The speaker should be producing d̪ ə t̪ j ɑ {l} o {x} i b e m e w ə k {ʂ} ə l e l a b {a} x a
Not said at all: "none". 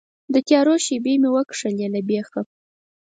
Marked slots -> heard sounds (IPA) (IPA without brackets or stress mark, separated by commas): ɾ, ʃ, ʂ, e